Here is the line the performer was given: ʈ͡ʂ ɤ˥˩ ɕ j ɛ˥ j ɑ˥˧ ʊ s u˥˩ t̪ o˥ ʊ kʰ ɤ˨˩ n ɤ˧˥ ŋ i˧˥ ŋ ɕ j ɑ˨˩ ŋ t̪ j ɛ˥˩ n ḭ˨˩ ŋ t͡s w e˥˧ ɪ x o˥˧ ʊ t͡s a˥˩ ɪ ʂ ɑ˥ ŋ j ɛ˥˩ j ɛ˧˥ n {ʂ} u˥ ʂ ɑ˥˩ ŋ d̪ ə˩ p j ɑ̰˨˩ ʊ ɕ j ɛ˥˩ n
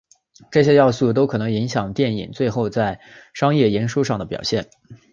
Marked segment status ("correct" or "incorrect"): correct